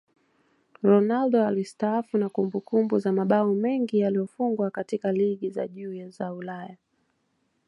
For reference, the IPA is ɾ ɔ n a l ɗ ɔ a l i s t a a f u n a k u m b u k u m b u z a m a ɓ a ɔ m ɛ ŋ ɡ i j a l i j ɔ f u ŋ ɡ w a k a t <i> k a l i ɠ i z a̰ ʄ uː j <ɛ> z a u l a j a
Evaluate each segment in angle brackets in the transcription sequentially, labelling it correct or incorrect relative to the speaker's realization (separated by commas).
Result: correct, incorrect